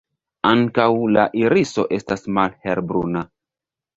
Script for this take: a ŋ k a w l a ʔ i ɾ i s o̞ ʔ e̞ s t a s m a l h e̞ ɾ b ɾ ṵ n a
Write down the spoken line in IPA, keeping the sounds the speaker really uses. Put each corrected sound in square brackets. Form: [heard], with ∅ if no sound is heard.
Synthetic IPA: a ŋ k a w l a ʔ i ɾ i s o̞ ʔ e̞ s t a s m a l h e̞ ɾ b ɾ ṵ n a